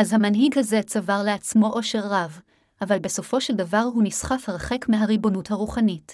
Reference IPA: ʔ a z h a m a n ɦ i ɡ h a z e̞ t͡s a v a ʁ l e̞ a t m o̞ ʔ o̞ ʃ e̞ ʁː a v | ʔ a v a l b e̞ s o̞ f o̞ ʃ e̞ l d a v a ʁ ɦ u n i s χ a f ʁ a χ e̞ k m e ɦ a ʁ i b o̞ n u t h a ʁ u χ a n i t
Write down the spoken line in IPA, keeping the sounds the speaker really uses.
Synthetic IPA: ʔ a z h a m a n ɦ i ɡ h a z e̞ t͡s a v a ʁ l e̞ a t͡s m o̞ ʔ o̞ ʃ e̞ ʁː a v | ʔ a v a l b e̞ s o̞ f o̞ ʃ e̞ l d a v a ʁ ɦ u n i s χ a f ʁ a χ e̞ k m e ɦ a ʁ i b o̞ n u t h a ʁ u χ a n i t